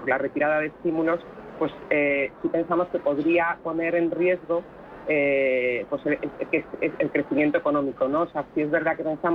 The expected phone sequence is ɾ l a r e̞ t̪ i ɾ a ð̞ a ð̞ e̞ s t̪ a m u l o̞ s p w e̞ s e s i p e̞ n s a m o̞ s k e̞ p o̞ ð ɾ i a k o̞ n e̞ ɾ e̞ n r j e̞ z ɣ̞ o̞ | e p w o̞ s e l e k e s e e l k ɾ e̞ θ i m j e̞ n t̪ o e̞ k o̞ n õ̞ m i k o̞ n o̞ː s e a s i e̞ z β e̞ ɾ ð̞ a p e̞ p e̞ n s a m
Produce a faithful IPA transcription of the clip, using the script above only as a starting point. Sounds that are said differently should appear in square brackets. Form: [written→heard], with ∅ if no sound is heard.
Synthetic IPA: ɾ l a r e̞ t̪ i ɾ a ð̞ a ð̞ e̞ s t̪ [a→i] m u l o̞ s p w e̞ s e s i p e̞ n s a m o̞ s k e̞ p o̞ ð ɾ i a [k→p] o̞ n e̞ ɾ e̞ n r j e̞ z ɣ̞ o̞ | e p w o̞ s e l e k e s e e l k ɾ e̞ θ i m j e̞ n t̪ o e̞ k o̞ n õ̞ m i k o̞ n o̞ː s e a s i e̞ z β e̞ ɾ ð̞ a [p→k] e̞ p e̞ n s a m